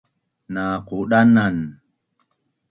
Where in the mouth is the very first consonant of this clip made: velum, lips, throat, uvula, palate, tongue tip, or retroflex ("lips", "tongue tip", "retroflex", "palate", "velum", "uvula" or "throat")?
tongue tip